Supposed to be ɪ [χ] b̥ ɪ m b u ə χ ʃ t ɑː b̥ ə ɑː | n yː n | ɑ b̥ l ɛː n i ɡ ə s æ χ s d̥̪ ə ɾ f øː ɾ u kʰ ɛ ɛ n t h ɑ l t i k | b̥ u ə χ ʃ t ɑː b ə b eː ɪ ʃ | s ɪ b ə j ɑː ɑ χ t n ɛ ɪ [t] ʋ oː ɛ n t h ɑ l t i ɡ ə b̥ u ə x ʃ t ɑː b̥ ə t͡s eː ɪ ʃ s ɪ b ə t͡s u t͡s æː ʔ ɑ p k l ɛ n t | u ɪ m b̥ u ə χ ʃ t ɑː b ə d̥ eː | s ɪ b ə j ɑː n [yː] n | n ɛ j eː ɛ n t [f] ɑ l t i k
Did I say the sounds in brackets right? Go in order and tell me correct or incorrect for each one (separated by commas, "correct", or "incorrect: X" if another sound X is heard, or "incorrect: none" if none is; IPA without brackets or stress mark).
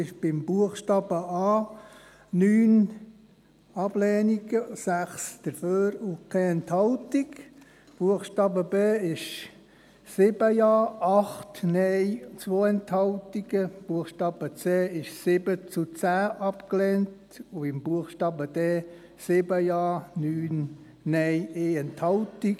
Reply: incorrect: ʃ, incorrect: t͡s, correct, incorrect: h